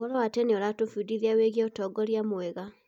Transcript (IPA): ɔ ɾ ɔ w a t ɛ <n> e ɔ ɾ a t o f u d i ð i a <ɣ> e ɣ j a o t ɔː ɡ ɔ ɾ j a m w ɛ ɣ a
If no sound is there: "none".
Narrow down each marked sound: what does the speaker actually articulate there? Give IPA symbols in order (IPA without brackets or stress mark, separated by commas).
n, w